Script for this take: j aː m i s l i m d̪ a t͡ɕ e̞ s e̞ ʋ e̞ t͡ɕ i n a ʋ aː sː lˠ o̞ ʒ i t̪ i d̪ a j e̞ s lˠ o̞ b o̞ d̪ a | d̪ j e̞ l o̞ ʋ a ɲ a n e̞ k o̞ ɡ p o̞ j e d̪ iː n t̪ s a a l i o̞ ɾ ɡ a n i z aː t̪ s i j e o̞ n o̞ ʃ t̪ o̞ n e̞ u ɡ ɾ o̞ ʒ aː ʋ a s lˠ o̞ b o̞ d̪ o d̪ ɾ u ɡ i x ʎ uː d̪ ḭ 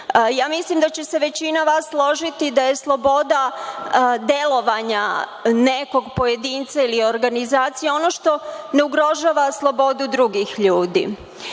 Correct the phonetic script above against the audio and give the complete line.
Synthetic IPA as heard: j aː m i s l i m d̪ a t͡ɕ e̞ s e̞ ʋ e̞ t͡ɕ i n a ʋ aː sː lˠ o̞ ʒ i t̪ i d̪ a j e̞ s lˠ o̞ b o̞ d̪ a | d̪ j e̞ l o̞ ʋ a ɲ a n e̞ k o̞ ɡ p o̞ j e d̪ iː n t̪ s a i l i o̞ ɾ ɡ a n i z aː t̪ s i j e o̞ n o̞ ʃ t̪ o̞ n e̞ u ɡ ɾ o̞ ʒ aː ʋ a s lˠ o̞ b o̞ d̪ u d̪ ɾ u ɡ i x ʎ uː d̪ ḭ